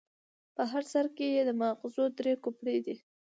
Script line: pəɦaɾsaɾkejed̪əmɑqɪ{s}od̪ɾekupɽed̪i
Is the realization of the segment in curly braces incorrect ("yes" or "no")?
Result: yes